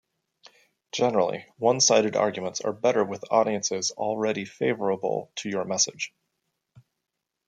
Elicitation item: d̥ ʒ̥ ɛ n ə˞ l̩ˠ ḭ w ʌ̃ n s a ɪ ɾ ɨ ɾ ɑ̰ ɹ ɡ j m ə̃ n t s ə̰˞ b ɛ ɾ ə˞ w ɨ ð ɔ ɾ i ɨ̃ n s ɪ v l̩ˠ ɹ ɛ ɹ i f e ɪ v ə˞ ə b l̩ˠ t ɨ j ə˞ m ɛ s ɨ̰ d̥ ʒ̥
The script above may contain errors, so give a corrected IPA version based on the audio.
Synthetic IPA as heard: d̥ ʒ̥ ɛ n ə˞ l̩ˠ ḭ w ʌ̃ n s a ɪ ɾ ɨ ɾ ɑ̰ ɹ ɡ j m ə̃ n t s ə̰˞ b ɛ ɾ ə˞ w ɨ ð ɔ ɾ i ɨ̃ n s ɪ z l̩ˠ ɹ ɛ ɾ i f e ɪ v ə˞ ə b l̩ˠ tʰ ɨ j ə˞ m ɛ s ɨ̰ d̥ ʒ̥